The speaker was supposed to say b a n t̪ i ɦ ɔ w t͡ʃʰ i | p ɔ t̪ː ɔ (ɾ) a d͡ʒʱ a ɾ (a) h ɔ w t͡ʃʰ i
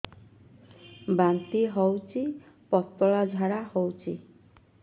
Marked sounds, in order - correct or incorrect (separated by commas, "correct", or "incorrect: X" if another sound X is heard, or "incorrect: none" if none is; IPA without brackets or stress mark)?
incorrect: ɭ, correct